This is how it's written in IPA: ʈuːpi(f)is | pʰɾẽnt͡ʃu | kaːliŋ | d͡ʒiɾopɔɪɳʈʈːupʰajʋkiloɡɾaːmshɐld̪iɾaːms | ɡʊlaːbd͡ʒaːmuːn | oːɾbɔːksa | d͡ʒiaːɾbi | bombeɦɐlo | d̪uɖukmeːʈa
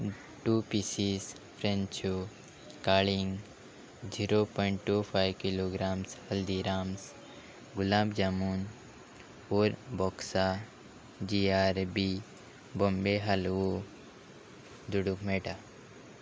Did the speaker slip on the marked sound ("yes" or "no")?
yes